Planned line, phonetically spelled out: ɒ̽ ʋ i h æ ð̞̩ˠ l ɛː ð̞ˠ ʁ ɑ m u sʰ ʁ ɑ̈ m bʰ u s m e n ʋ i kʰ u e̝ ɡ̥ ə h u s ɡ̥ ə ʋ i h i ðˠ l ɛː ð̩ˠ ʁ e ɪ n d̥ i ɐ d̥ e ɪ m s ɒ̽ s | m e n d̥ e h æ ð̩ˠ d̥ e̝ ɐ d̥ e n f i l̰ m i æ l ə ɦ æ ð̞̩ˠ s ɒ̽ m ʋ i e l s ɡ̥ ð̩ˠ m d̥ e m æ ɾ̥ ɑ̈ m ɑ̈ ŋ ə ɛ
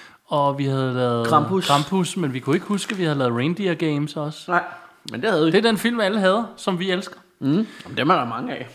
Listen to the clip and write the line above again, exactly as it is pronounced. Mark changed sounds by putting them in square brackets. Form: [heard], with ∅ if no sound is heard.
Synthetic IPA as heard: ɒ̽ ʋ i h æ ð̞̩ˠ l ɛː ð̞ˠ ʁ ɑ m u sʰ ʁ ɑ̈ m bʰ u s m e n ʋ i kʰ u e̝ ɡ̥ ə h u s ɡ̥ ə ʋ i h [æ] ðˠ l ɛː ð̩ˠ ʁ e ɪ n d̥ i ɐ [ɡ̥] e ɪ m s ɒ̽ s | m e n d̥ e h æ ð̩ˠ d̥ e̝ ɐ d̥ e n f i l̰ m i æ l ə ɦ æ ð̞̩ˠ s ɒ̽ m ʋ i e l s ɡ̥ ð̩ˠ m d̥ e m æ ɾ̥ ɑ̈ m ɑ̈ ŋ ə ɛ